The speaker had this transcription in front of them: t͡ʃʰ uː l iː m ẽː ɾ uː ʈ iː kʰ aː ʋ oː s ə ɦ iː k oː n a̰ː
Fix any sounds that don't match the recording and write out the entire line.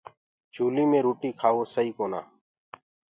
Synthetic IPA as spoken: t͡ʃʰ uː l iː m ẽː ɾ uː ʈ iː kʰ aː ʋ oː s ə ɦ iː k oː n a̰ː